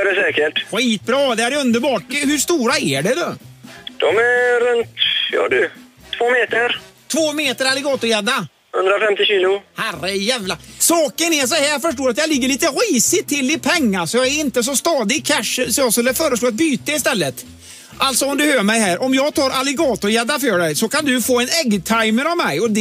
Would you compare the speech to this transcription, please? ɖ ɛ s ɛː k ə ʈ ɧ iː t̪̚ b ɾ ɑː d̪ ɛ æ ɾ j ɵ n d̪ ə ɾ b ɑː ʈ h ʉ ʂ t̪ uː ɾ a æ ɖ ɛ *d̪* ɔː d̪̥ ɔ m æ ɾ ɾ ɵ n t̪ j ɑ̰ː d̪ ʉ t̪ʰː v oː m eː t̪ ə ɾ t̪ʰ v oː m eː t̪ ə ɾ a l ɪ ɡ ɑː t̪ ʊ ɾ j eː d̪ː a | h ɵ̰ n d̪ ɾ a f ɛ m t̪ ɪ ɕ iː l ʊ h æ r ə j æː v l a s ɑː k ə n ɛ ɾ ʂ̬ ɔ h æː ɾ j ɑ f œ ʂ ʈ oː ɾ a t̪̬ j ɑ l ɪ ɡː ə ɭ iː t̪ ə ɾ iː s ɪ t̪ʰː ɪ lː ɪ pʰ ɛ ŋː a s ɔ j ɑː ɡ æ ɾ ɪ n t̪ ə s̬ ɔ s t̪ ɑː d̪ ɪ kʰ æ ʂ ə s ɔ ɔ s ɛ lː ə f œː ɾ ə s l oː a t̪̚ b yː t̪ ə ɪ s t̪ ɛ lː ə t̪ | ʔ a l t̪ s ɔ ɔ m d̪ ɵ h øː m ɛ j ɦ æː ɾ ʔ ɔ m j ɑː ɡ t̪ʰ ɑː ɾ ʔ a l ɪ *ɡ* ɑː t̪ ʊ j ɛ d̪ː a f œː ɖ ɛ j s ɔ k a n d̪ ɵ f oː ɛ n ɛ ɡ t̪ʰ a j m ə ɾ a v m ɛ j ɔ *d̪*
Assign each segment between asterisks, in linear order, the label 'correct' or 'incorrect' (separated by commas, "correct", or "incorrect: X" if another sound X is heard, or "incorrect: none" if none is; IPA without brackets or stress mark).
correct, correct, correct